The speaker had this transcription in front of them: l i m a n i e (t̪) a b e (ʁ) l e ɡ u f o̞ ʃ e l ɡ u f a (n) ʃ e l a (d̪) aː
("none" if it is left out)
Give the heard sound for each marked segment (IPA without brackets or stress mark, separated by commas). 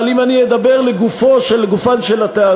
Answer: d̪, ʁ, n, t̪